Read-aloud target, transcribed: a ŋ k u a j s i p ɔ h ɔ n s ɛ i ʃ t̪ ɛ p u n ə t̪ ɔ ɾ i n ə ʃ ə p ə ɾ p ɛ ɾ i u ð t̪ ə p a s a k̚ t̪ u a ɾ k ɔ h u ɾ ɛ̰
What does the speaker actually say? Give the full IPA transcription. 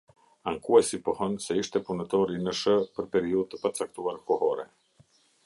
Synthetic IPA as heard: a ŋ k u a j s i p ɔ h ɔ n s ɛ i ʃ t̪ ɛ p u n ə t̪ ɔ ɾ i n ə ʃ ə p ə ɾ p ɛ ɾ i u ð t̪ ə p a t͡s a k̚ t̪ u a ɾ k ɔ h ɔ ɾ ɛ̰